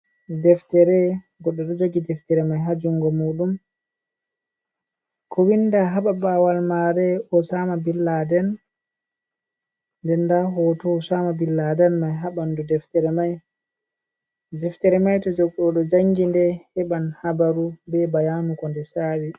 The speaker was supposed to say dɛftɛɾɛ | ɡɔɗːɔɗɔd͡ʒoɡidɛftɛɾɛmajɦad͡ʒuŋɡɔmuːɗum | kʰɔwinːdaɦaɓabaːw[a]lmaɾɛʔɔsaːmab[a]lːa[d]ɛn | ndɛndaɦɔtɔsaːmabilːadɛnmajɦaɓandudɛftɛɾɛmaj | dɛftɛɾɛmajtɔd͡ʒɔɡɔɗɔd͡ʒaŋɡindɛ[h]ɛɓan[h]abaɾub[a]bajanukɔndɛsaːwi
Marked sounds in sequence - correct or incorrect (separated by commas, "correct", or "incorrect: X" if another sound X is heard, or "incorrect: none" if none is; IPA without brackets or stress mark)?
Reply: correct, incorrect: i, correct, correct, correct, incorrect: ɛ